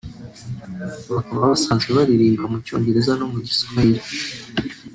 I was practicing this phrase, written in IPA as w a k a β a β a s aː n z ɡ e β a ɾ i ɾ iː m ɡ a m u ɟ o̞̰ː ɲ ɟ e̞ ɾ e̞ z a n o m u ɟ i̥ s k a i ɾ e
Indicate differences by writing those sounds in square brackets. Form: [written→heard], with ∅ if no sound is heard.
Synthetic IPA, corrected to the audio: [w→β] a k a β a β a s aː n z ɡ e β a ɾ i ɾ iː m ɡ a m u [ɟ→c] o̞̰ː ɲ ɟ e̞ ɾ e̞ z a n o m u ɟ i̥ s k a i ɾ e